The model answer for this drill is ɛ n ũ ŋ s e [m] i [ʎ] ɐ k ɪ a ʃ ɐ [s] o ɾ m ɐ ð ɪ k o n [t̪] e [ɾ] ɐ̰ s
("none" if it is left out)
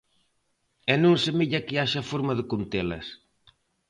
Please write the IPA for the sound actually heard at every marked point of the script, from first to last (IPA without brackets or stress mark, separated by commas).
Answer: m, ʎ, f, t̪, l